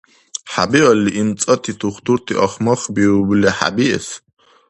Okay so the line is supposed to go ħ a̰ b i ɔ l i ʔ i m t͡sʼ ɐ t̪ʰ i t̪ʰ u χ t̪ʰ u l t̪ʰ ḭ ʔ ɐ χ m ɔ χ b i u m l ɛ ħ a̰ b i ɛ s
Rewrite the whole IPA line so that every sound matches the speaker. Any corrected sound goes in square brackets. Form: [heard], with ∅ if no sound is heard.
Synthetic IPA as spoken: ħ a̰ b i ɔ l i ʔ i m t͡sʼ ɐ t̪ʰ i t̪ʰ u χ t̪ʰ u [ɾ] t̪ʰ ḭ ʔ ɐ χ m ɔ χ b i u [b] l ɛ ħ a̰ b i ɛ s